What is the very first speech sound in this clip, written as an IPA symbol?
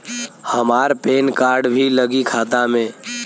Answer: h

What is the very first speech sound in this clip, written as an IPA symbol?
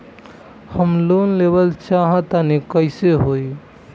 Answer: h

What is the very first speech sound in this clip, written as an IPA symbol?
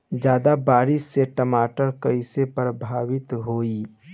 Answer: d͡ʒ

